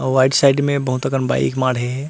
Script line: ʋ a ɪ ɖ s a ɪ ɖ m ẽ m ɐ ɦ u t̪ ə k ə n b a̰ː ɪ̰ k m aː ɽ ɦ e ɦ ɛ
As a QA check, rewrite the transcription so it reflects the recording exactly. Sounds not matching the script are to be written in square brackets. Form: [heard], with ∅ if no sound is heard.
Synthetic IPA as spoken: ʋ a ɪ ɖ s a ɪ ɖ m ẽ [b] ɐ ɦ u t̪ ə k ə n b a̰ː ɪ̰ k m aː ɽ ɦ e ɦ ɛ